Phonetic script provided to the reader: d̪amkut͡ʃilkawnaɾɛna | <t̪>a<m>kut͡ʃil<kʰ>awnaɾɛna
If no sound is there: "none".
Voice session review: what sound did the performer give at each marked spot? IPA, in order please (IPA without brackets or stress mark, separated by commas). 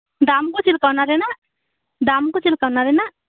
d̪, m, k